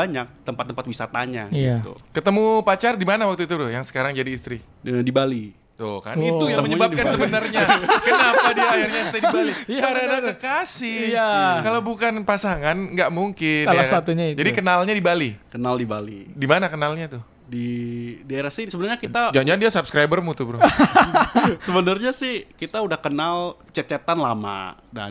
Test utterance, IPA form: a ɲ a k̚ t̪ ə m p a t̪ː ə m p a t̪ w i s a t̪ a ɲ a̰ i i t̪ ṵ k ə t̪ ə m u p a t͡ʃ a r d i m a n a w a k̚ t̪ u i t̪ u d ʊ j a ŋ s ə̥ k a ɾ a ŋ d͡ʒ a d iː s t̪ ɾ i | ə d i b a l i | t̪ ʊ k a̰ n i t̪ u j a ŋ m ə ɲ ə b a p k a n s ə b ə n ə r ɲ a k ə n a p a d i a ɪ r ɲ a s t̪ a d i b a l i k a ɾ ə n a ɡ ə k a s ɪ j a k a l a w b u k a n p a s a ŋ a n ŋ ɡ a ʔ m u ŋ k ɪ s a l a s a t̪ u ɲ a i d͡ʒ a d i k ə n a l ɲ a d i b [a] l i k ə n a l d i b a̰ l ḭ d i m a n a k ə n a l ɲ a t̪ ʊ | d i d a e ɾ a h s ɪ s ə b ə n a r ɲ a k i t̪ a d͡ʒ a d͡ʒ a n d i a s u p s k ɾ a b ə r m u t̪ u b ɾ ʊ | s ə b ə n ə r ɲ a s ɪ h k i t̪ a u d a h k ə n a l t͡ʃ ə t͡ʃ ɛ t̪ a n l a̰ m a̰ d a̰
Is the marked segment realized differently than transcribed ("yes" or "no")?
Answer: no